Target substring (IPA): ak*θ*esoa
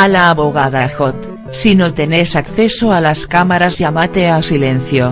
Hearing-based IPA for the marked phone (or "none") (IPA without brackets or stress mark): θ